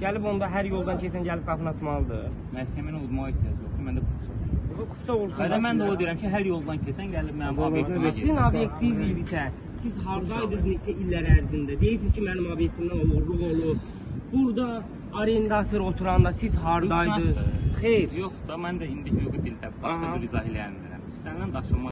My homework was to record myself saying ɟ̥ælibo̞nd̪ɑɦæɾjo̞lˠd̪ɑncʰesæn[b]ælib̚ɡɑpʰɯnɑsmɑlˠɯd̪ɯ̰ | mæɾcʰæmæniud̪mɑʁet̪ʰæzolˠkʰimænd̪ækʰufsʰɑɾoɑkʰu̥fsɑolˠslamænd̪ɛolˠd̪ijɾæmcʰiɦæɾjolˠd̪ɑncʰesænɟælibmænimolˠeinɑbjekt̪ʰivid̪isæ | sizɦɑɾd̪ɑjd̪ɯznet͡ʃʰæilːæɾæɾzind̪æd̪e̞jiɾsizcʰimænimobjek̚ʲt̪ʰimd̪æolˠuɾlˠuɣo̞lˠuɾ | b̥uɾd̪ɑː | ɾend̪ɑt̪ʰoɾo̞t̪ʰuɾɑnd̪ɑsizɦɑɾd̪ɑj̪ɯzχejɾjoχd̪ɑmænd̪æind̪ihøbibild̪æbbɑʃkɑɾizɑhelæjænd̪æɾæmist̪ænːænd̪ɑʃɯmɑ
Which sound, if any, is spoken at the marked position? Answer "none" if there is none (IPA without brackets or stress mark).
ɟ